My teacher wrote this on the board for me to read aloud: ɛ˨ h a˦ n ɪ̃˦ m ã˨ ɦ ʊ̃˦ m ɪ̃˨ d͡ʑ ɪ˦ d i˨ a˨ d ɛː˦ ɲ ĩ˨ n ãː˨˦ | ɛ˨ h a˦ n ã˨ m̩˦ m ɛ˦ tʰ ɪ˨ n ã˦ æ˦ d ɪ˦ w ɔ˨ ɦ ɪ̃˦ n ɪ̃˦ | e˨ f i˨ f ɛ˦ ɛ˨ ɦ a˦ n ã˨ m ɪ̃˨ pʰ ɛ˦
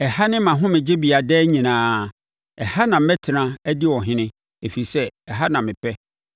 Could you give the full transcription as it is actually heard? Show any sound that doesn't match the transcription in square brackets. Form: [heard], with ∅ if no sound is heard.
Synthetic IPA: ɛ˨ h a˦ n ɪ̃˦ m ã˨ ɦ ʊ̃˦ m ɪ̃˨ d͡ʑ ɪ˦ [b] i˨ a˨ d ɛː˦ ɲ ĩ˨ n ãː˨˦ | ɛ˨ h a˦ n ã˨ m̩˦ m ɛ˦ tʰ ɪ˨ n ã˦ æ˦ d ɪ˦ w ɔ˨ ɦ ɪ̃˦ n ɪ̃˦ | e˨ f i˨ [s] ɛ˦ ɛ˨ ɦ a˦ n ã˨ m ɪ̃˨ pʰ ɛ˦